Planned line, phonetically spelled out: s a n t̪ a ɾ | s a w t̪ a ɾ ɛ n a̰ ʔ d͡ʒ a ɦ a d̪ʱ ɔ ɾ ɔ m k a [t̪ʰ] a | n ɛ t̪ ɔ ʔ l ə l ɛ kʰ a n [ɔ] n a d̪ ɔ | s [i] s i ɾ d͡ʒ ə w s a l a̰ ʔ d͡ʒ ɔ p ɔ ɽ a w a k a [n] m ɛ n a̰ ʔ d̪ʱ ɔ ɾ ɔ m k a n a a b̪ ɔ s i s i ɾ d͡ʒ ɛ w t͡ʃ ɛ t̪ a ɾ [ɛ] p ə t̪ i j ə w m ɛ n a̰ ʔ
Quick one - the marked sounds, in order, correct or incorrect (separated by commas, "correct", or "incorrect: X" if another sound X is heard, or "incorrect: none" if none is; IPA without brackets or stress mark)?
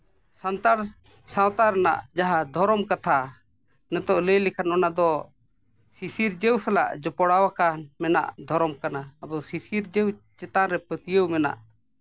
correct, correct, correct, correct, correct